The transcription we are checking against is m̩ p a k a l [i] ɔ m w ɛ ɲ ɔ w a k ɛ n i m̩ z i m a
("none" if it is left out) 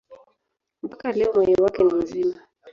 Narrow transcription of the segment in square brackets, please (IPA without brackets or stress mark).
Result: ɛ